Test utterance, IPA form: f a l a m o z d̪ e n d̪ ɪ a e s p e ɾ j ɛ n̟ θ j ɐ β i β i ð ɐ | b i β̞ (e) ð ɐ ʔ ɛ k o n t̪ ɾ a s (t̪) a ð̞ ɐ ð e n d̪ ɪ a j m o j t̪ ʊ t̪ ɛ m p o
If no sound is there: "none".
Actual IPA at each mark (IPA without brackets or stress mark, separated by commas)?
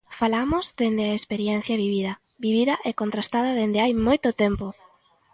i, t̪